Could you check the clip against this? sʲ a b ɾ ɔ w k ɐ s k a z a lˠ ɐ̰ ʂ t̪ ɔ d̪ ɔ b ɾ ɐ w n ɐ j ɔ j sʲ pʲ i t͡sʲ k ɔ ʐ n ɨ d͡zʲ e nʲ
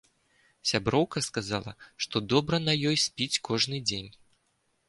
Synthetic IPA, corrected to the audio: sʲ a b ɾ ɔ w k ɐ s k a z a lˠ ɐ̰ ʂ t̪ ɔ d̪ ɔ b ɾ ɐ n ɐ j ɔ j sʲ pʲ i t͡sʲ k ɔ ʐ n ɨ d͡zʲ e nʲ